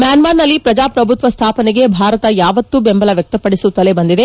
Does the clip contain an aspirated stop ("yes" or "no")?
yes